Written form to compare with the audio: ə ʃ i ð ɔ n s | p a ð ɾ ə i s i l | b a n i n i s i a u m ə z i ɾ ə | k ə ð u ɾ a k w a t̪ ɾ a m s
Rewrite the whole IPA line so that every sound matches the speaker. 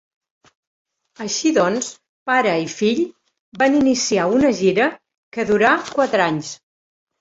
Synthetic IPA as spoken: ə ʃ i ð ɔ n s | p a ɾ ə i f i ʎ | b a n i n i s i a u n ə ʒ i ɾ ə | k ə ð u ɾ a k w a t̪ ɾ a ɲ s